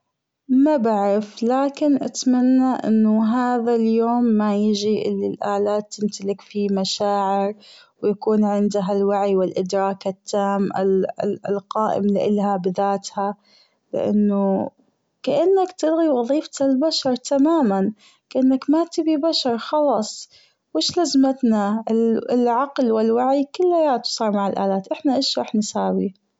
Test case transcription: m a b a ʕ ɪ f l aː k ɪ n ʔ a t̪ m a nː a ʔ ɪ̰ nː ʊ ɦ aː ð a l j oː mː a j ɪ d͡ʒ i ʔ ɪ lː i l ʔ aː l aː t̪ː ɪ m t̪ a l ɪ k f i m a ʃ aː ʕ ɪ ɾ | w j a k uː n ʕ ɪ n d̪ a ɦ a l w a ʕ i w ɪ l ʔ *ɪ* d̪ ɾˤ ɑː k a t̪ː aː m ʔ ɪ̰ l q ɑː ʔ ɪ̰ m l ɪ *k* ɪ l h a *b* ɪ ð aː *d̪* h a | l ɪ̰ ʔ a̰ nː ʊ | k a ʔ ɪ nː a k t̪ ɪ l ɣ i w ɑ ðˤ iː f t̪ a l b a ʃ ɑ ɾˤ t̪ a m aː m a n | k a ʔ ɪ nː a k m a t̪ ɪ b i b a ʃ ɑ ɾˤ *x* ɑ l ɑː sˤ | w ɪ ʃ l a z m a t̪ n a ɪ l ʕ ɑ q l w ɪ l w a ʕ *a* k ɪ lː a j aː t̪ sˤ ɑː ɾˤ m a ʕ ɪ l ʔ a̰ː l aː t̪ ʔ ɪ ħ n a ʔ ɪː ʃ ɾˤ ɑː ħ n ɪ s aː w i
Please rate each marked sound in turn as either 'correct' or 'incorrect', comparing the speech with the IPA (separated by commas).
correct, incorrect, correct, incorrect, correct, incorrect